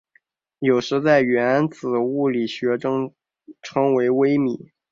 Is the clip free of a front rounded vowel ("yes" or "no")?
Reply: yes